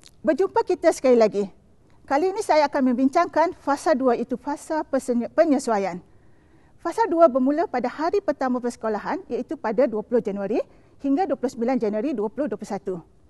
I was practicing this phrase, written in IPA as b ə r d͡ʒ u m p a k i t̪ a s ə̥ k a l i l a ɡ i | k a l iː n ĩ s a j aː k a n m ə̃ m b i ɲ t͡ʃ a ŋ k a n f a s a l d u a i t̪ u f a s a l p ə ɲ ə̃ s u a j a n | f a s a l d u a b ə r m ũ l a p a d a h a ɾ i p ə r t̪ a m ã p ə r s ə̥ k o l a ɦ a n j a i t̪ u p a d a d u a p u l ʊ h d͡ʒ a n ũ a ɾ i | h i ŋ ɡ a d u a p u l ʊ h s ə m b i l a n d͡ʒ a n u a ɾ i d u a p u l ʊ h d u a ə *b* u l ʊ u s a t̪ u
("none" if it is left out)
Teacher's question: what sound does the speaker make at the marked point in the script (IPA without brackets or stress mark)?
p